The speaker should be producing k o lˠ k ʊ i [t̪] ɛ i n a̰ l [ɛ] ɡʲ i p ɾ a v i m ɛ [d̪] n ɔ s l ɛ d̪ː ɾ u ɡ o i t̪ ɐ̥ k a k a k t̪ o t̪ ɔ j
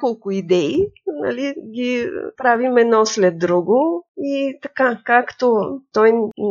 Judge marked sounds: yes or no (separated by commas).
no, no, yes